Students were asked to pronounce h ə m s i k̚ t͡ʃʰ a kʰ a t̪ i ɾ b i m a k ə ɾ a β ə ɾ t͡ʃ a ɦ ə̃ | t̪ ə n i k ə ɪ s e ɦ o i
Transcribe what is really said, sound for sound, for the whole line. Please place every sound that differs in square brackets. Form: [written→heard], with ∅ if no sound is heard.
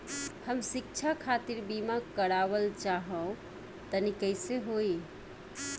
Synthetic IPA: h ə m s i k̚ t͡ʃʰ a kʰ a t̪ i ɾ b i m a k ə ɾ a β ə [ɾ→l] t͡ʃ a ɦ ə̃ | t̪ ə n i k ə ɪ s e ɦ o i